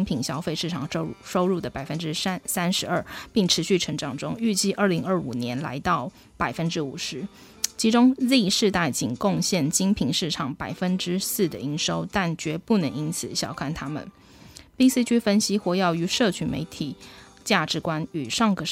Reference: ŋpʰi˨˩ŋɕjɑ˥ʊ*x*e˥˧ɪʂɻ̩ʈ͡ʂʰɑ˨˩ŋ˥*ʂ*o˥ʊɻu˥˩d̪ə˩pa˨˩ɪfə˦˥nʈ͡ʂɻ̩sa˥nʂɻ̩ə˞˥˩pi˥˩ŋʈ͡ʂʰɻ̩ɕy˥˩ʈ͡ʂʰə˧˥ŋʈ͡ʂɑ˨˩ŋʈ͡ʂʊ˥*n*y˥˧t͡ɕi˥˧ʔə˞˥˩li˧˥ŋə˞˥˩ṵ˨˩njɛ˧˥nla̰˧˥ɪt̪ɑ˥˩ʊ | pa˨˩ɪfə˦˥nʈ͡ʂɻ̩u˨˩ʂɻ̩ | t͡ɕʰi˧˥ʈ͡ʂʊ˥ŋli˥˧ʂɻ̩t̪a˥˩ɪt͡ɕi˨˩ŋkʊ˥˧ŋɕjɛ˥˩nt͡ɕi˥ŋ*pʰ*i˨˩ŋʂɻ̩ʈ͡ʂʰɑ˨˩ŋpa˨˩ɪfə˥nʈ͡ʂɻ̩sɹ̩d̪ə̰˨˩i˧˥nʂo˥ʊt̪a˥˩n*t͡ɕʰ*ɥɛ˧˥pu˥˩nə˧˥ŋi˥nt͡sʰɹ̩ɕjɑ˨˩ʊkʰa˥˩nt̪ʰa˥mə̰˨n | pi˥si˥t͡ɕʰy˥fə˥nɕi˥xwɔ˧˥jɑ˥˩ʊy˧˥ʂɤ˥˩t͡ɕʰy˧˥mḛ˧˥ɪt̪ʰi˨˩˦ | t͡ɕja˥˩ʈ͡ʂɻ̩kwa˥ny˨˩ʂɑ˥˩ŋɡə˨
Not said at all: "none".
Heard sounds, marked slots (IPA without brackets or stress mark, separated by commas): f, ʂ, ŋ, pʰ, t͡ɕ